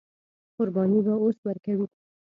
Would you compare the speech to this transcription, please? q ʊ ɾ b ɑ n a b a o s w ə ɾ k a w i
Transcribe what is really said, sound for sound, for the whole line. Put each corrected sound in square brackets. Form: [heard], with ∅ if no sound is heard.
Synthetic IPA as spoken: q ʊ ɾ b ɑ n [i] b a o s w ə ɾ k a w i

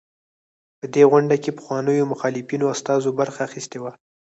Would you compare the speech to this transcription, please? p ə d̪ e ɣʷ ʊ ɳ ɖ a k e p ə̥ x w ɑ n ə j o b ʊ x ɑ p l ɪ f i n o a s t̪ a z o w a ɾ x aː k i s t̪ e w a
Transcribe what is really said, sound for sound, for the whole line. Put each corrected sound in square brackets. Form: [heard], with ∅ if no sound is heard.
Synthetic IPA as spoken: p ə d̪ e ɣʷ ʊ ɳ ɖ a k e p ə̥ x w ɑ n ə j o [m] ʊ x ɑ [∅] l ɪ f i n o a s t̪ [ɑ] z o [b] a ɾ x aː [x] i s t̪ e w a

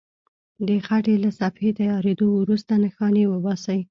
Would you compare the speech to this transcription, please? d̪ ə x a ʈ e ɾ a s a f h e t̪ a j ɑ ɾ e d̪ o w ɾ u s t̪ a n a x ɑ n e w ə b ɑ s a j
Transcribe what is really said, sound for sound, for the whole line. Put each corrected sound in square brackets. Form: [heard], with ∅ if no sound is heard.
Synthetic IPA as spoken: d̪ ə x a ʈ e [l] a s a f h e t̪ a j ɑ ɾ e d̪ o w ɾ u s t̪ a n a x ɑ n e w ə b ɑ s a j

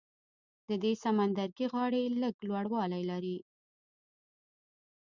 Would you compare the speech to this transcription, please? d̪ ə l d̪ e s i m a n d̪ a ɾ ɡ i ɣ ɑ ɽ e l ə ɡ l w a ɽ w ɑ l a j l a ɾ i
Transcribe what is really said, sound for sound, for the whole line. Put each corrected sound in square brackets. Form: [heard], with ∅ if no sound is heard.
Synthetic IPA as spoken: d̪ ə [∅] d̪ e s [a] m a n d̪ a ɾ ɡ i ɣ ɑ ɽ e l ə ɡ l w a ɽ w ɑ l a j l a ɾ i

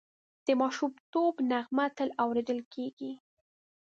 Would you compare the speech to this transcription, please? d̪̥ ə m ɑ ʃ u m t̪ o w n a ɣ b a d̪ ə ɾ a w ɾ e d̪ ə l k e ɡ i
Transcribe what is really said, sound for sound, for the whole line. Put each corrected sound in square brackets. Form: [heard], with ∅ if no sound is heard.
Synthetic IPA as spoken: d̪̥ ə m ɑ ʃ u m t̪ o [b] n a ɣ [m] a [t̪] ə [l] a w ɾ e d̪ ə l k e ɡ i

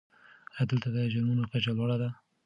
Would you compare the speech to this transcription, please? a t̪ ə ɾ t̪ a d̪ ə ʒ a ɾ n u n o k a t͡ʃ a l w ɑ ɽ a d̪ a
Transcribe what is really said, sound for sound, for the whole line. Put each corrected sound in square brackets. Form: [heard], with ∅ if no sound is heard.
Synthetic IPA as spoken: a [d̪] ə [l] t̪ a d̪ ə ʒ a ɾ [m] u n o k a t͡ʃ a l w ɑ ɽ a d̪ a

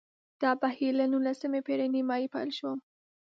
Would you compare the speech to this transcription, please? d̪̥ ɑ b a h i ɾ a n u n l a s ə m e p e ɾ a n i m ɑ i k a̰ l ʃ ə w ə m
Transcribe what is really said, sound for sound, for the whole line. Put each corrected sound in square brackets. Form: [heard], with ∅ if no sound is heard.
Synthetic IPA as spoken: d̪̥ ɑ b a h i [l] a n u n l a s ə m e p e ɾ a n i m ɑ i [p] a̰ l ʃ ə w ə m

